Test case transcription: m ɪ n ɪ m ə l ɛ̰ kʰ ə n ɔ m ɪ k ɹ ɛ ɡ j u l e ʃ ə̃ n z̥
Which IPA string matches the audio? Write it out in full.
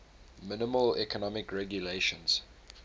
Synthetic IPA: m ɪ n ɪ m ə l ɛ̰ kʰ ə n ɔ m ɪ k ɹ ɛ ɡ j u l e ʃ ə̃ n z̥